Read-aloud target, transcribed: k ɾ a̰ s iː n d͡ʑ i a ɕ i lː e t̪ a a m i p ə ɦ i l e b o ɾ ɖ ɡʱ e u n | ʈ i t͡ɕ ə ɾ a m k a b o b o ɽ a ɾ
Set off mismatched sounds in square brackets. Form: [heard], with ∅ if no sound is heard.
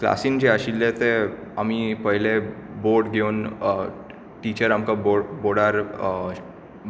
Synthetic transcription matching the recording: k [l] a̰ s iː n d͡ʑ [e] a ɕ i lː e t̪ [e] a m i p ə ɦ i l e b o ɾ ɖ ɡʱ e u n | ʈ i t͡ɕ ə ɾ a m k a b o b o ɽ a ɾ